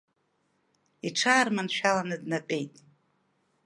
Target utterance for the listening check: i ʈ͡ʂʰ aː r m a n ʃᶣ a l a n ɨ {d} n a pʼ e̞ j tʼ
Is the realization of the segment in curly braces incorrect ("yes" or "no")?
no